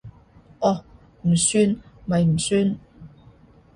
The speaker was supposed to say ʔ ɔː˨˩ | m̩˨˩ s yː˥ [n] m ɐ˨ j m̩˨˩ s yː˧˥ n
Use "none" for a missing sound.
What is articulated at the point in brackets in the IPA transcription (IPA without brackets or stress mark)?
n